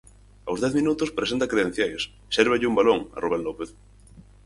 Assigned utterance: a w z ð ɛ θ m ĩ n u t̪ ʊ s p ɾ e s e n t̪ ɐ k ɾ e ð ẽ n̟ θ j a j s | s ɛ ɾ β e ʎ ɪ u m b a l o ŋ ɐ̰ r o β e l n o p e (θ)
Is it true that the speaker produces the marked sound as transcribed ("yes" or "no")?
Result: yes